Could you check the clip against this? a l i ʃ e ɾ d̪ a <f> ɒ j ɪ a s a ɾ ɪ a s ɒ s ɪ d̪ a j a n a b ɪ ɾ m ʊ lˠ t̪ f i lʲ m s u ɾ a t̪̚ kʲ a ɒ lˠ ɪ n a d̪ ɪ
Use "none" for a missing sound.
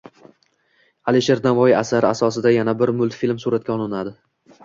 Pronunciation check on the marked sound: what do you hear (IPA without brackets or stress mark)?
v